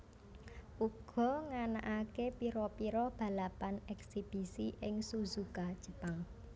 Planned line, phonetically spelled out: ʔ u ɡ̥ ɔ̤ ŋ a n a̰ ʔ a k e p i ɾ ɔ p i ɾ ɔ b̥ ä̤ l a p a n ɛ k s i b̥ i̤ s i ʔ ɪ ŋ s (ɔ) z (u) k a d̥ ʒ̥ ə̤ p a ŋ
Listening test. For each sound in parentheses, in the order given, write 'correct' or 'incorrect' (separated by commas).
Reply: incorrect, correct